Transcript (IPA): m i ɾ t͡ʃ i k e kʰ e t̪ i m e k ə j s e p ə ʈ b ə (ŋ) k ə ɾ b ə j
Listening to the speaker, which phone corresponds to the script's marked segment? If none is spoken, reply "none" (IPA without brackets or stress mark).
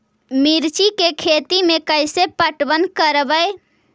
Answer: n